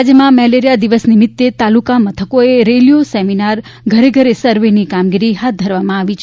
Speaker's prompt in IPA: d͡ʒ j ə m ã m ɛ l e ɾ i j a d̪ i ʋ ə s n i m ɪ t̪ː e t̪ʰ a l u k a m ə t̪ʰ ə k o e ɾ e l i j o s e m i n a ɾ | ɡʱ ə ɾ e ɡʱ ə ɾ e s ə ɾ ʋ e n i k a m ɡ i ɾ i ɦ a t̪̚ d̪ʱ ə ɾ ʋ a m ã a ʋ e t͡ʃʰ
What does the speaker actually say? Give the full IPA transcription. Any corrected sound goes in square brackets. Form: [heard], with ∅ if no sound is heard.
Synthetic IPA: d͡ʒ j ə m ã m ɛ l e ɾ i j a d̪ i ʋ ə s n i m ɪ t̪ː e [t̪] a l u k a m ə t̪ʰ ə k o e ɾ e l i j o s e m i n a ɾ | ɡʱ ə ɾ e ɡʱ ə ɾ e s ə ɾ ʋ e n i k a m ɡ i ɾ i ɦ a t̪̚ d̪ʱ ə ɾ ʋ a m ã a ʋ [i] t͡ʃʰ